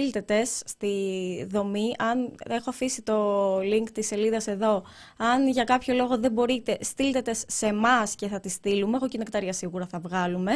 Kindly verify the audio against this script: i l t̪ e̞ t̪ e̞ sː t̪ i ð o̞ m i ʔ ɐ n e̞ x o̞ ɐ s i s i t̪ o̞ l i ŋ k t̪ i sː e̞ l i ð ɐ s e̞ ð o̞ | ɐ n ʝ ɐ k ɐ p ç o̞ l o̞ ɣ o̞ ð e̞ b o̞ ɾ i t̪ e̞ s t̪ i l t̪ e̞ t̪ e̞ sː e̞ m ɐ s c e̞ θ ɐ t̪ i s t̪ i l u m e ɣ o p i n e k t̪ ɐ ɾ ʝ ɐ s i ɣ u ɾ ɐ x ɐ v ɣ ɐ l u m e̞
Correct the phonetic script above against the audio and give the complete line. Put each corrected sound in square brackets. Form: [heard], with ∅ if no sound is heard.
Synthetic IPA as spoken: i l t̪ e̞ t̪ e̞ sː t̪ i ð o̞ m i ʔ ɐ n e̞ x o̞ ɐ [f] i s i t̪ o̞ l i ŋ k t̪ i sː e̞ l i ð ɐ s e̞ ð o̞ | ɐ n ʝ ɐ k ɐ p ç o̞ l o̞ ɣ o̞ ð e̞ b o̞ ɾ i t̪ e̞ s t̪ i l t̪ e̞ t̪ e̞ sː e̞ m ɐ s c e̞ θ ɐ t̪ i s t̪ i l u m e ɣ o [c] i n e k t̪ ɐ ɾ ʝ ɐ s i ɣ u ɾ ɐ [θ] ɐ v ɣ ɐ l u m e̞